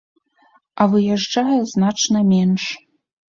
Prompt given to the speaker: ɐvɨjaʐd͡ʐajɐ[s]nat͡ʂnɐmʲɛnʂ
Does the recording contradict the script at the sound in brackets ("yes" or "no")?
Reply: yes